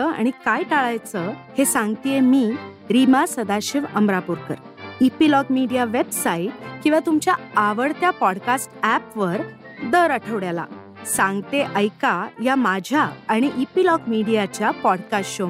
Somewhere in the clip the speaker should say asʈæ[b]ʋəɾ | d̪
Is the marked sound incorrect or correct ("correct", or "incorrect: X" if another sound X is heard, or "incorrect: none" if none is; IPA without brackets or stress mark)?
incorrect: p